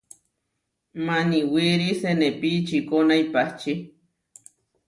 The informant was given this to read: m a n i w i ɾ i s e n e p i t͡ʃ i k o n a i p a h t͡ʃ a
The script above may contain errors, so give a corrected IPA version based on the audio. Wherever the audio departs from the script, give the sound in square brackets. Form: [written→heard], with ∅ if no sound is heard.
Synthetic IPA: m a n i w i ɾ i s e n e p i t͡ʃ i k o n a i p a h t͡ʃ [a→i]